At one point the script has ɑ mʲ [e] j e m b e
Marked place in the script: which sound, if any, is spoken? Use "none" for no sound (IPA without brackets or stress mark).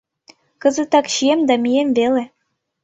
i